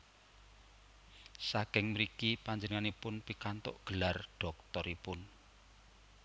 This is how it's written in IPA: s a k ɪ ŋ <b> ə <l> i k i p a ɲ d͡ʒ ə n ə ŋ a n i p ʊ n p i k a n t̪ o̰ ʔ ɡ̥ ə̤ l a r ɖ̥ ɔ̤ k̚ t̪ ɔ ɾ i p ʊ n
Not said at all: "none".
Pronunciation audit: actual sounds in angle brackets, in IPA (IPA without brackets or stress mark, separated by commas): m, ɾ